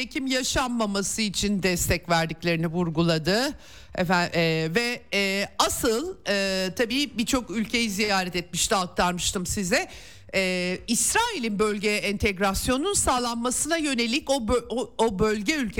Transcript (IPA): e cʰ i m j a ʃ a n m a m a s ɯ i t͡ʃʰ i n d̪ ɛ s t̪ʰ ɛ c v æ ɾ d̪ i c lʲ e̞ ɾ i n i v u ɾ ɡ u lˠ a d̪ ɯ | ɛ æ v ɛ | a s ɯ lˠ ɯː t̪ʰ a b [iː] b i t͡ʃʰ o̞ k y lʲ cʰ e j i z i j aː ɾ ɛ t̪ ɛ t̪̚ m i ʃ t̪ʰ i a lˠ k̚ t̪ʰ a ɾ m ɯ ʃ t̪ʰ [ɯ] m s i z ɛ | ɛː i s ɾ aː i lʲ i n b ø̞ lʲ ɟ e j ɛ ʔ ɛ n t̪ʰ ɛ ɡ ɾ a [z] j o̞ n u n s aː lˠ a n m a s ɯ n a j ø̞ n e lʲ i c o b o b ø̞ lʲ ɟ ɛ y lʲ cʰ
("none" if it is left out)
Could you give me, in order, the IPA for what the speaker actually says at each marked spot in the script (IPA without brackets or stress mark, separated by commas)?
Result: iː, ɯ, s